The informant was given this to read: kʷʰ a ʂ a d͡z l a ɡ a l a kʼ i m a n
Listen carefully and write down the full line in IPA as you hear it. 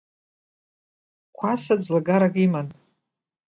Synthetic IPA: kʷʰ a s a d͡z l a ɡ a ɾ a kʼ i m a n